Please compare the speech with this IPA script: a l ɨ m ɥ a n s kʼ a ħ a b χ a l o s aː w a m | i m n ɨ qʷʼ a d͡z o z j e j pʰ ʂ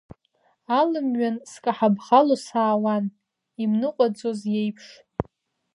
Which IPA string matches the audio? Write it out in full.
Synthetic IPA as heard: a l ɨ m ɥ a n s kʼ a ħ a b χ a l o s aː w a n | i m n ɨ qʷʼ a d͡z o z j e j pʰ ʂ